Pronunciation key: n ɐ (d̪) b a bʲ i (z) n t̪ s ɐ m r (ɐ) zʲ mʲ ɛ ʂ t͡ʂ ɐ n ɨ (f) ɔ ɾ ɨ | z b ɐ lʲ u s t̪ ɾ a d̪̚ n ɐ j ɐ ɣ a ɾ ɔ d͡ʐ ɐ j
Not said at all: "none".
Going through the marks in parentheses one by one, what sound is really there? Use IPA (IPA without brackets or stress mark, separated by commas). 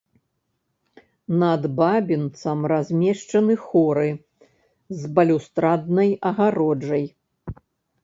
d̪, none, a, x